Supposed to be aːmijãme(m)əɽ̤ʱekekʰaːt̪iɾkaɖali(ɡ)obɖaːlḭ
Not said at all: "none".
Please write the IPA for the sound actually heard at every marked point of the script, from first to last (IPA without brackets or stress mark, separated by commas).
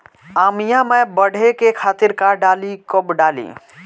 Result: b, k